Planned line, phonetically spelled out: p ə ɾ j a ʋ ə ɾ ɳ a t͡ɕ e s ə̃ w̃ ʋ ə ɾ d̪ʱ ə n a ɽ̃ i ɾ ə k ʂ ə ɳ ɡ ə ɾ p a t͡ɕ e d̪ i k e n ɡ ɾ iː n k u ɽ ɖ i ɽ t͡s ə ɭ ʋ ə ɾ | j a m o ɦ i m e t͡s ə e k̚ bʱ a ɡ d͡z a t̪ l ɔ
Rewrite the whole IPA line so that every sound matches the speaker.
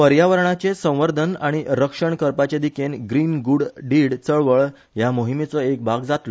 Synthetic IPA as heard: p ə ɾ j a ʋ ə ɾ ɳ a t͡ɕ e s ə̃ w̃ ʋ ə ɾ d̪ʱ ə n a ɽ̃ i ɾ ə k ʂ ə ɳ k ə ɾ p a t͡ɕ e d̪ i k e n ɡ ɾ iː n ɡ u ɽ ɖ i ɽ t͡s ə ɭ ʋ ə ɭ | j a m o ɦ i m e t͡s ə e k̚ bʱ a ɡ d͡z a t̪ l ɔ